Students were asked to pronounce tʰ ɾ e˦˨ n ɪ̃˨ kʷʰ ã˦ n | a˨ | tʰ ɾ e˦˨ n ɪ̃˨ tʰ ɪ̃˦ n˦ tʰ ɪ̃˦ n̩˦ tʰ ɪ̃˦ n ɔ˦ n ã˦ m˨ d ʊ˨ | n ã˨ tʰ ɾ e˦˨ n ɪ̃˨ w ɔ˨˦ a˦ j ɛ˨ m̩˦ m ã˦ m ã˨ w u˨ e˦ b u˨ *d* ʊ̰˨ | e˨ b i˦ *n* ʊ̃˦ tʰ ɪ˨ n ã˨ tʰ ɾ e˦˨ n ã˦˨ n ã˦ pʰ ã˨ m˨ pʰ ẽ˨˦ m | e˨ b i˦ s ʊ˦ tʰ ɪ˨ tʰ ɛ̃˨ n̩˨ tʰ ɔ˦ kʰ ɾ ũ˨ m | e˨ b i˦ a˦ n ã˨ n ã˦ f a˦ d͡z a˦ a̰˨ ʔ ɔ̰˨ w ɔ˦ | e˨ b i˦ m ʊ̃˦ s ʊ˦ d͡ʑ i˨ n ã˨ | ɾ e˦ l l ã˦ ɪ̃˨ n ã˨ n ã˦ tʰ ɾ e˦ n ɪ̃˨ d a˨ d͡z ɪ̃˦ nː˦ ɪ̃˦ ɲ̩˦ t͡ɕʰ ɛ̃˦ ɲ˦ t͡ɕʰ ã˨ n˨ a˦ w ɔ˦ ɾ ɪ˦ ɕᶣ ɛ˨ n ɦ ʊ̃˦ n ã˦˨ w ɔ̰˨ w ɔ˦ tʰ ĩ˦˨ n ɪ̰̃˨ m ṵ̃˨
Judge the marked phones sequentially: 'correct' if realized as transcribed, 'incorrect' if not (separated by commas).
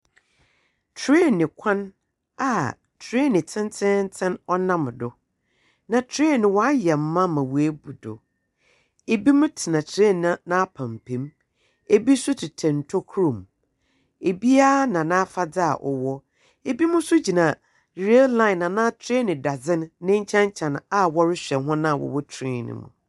correct, incorrect